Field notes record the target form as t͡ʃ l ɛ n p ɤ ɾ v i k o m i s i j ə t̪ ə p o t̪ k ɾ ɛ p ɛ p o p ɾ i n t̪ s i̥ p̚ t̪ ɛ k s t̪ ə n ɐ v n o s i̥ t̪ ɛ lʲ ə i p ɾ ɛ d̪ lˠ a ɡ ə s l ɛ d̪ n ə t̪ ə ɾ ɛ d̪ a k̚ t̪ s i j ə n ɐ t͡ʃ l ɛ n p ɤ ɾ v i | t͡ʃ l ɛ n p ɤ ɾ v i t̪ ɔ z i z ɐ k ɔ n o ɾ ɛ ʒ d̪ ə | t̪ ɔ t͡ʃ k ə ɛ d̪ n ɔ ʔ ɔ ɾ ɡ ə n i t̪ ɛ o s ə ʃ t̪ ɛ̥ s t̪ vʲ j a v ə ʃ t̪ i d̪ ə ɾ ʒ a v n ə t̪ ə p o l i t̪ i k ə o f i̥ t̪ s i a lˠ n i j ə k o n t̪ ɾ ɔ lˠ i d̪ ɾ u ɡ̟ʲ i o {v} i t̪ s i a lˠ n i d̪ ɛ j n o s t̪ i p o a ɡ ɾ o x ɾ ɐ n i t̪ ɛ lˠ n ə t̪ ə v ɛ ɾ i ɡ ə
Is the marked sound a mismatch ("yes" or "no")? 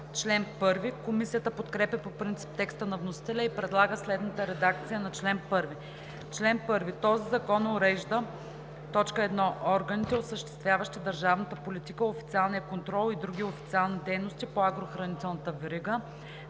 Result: yes